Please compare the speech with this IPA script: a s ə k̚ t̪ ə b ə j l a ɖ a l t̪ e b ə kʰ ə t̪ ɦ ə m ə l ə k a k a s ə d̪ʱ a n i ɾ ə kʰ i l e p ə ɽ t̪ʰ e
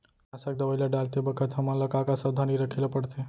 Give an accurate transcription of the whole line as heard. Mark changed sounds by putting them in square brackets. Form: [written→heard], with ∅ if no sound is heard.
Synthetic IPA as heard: a s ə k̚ [t̪→d̪] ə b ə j l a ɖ a l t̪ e b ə kʰ ə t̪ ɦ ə m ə l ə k a k a s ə d̪ʱ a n i ɾ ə kʰ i l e p ə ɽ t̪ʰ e